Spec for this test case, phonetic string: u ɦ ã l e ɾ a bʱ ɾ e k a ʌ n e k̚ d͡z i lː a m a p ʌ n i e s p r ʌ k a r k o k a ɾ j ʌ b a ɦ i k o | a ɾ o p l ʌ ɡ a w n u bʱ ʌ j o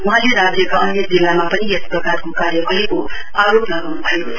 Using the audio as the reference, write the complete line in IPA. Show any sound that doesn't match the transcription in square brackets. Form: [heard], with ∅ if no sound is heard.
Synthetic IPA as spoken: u ɦ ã l e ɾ a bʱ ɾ e k a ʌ n e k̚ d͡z i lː a m a p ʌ n i e s p r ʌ k a r k o k a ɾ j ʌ b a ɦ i k o | a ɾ o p l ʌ ɡ a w n u bʱ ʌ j o

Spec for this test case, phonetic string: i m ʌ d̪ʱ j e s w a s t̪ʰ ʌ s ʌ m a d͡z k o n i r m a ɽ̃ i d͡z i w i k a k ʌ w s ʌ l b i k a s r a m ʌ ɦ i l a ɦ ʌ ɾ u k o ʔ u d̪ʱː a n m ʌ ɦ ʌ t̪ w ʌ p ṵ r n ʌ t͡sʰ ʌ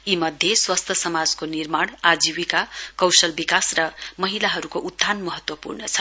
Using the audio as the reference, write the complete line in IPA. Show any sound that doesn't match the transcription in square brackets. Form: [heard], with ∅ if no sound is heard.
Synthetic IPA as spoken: i m ʌ d̪ʱ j e s w a s t̪ʰ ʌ s ʌ m a d͡z k o n i r m a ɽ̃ [a] d͡z i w i k a k ʌ w s ʌ l b i k a s r [ʌ] m ʌ ɦ i l a ɦ ʌ ɾ u k o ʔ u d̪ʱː a n m ʌ ɦ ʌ t̪ w ʌ p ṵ r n ʌ t͡sʰ ʌ

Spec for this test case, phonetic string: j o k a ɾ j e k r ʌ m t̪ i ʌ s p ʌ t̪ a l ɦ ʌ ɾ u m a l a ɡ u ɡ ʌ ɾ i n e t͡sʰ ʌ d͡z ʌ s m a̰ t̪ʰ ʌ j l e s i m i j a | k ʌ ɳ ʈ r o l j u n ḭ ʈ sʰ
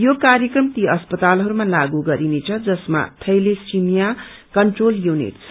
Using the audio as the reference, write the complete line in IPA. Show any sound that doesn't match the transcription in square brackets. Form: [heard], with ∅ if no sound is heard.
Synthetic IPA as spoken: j o k a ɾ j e k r ʌ m t̪ i ʌ s p ʌ t̪ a l ɦ ʌ ɾ u m a l a ɡ u ɡ ʌ ɾ i n e t͡sʰ ʌ d͡z ʌ s m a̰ t̪ʰ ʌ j l e s i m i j a | k ʌ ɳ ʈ r o l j u n ḭ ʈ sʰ

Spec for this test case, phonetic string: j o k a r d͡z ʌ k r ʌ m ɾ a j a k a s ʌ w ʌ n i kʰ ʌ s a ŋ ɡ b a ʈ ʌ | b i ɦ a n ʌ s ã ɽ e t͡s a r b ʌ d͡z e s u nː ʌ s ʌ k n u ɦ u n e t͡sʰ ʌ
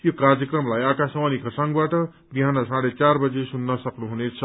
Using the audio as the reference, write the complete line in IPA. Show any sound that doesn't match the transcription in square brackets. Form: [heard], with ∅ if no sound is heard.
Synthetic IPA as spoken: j o k a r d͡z ʌ k r ʌ m [l] a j a k a s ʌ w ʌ n i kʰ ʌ s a ŋ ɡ b a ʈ ʌ | b i ɦ a n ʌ s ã ɽ e t͡s a r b ʌ d͡z e s u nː ʌ s ʌ k n u ɦ u n e t͡sʰ ʌ

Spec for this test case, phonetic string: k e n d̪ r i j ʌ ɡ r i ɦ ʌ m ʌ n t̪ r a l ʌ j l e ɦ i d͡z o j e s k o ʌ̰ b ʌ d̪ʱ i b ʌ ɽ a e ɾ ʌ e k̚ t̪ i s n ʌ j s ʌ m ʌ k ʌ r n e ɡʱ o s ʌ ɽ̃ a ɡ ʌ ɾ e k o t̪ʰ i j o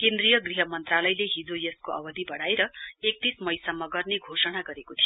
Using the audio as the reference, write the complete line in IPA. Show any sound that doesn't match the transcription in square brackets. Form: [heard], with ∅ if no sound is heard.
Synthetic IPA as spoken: k e n d̪ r i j ʌ ɡ r i ɦ ʌ m ʌ n t̪ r a l ʌ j l e ɦ i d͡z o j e s k o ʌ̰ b ʌ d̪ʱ i b ʌ ɽ a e ɾ ʌ e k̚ t̪ i s [m] ʌ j s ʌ m ʌ [ɡ] ʌ r n e ɡʱ o s ʌ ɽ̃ a ɡ ʌ ɾ e k o t̪ʰ i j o

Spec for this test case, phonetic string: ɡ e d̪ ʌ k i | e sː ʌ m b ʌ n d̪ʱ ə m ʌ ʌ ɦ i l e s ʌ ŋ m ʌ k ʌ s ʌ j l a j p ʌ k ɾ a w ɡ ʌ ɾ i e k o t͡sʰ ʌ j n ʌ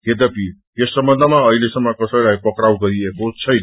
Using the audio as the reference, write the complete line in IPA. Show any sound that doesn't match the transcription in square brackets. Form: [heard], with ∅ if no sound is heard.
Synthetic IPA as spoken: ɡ e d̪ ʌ [p] i | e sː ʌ m b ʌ n d̪ʱ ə m [a] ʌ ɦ i l e s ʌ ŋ m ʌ k ʌ s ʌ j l a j p ʌ k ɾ a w ɡ ʌ ɾ i e k o t͡sʰ ʌ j n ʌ

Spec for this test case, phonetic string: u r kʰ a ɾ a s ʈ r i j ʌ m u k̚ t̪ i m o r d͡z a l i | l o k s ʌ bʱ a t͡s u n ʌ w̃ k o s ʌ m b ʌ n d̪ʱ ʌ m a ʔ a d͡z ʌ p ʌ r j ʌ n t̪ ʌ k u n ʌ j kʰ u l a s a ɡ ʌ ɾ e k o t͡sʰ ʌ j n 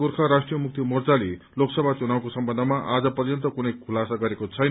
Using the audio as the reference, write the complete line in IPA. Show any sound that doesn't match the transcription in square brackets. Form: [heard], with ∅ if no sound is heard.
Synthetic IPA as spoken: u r kʰ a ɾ a s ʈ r i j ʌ m u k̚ t̪ i m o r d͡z a l i | l o k s ʌ bʱ a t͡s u n [a] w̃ k o s ʌ m b ʌ n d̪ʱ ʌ m a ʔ a d͡z ʌ p ʌ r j ʌ n t̪ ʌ k u n ʌ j kʰ u l a s a ɡ ʌ ɾ e k o t͡sʰ ʌ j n

